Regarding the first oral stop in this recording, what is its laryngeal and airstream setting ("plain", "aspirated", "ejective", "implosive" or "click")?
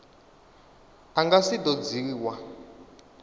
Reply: plain